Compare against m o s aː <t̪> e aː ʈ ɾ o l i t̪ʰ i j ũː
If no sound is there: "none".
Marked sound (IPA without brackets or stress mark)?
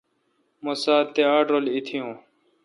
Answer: t̪